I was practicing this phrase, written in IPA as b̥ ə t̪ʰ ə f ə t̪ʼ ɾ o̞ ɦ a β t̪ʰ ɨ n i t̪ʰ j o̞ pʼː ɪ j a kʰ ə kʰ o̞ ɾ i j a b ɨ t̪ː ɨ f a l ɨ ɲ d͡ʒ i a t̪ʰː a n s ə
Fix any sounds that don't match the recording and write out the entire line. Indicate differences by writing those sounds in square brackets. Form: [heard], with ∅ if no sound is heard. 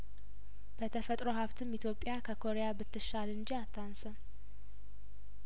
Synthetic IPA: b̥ ə t̪ʰ ə f ə t̪ʼ ɾ o̞ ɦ a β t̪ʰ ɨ [m] i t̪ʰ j o̞ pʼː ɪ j a kʰ ə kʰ o̞ ɾ [e] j a b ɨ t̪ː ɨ [ʃ] a l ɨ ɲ d͡ʒ i a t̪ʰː a n s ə